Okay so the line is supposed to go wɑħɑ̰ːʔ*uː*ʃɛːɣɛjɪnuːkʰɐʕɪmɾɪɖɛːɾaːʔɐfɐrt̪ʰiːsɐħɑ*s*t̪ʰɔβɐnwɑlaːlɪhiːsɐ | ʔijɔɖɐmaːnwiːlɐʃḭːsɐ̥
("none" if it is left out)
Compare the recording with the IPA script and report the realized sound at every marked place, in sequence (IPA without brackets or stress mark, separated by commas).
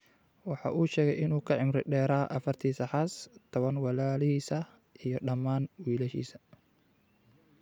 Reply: uː, s